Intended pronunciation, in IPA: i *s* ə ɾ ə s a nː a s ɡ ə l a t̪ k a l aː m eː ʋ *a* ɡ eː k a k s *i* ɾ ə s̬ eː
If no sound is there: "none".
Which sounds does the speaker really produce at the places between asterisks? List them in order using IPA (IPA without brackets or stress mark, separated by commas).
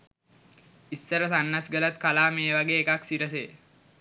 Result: sː, a, i